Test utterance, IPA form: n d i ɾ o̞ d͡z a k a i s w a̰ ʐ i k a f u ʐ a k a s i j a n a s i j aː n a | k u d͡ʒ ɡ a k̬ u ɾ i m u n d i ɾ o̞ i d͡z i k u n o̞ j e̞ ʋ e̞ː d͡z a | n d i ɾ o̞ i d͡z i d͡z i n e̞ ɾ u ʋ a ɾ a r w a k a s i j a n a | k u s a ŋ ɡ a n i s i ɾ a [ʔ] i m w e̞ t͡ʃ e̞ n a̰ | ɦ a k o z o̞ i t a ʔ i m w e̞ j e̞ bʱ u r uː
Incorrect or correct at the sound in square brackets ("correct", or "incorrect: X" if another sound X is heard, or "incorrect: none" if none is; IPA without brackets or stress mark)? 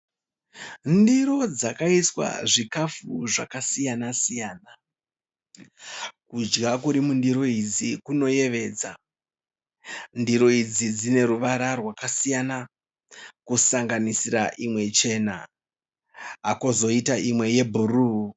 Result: correct